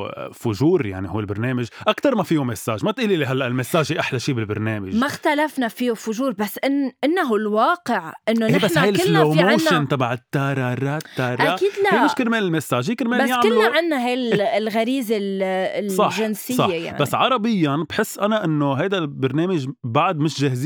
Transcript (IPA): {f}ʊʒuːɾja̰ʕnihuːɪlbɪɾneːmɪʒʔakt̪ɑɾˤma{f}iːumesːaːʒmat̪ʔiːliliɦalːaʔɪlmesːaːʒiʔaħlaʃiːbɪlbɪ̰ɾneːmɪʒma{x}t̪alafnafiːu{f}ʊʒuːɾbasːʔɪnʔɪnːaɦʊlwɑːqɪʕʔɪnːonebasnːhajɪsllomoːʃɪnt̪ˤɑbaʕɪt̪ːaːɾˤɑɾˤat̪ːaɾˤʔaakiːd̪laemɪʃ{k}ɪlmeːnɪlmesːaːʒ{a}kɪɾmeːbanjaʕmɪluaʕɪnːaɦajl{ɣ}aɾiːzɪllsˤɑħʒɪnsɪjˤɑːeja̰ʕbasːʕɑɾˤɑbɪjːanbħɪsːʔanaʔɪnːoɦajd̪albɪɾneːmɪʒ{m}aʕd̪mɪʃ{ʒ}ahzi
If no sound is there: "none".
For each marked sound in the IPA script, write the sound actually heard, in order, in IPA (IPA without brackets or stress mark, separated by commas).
f, f, x, f, k, i, ɣ, b, ʒ